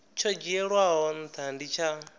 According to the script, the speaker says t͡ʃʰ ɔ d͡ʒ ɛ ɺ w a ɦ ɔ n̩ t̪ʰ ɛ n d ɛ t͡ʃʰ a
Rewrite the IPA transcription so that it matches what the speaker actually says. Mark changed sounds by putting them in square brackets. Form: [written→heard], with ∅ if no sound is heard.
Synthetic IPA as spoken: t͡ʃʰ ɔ d͡ʒ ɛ ɺ w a ɦ ɔ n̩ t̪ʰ [ɛ→a] n d [ɛ→i] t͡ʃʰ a